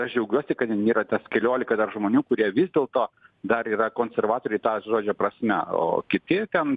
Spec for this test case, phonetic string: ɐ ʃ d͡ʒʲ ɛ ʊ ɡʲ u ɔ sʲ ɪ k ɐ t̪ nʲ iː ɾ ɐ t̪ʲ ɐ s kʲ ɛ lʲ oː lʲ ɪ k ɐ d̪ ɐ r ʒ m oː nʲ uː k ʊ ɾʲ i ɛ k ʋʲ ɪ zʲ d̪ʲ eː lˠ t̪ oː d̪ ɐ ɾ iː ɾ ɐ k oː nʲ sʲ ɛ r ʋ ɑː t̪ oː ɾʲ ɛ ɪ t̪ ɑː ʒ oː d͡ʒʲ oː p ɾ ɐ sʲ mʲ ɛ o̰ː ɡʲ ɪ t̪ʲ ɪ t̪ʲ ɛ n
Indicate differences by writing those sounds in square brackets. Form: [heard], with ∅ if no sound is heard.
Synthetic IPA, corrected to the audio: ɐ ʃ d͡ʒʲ ɛ ʊ ɡʲ u ɔ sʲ ɪ k ɐ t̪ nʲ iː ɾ ɐ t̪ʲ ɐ s kʲ ɛ lʲ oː lʲ ɪ k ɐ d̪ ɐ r ʒ m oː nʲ uː k ʊ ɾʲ i ɛ [∅] ʋʲ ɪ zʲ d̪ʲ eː lˠ t̪ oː d̪ ɐ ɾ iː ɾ ɐ k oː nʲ sʲ ɛ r ʋ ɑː t̪ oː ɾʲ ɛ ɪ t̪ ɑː ʒ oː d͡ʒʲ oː p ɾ ɐ sʲ mʲ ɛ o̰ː [kʲ] ɪ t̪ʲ ɪ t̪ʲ ɛ n